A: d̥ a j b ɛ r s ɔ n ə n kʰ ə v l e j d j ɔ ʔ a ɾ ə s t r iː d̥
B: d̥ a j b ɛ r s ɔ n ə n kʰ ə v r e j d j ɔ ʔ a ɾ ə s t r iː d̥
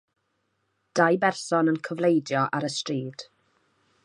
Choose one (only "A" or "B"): A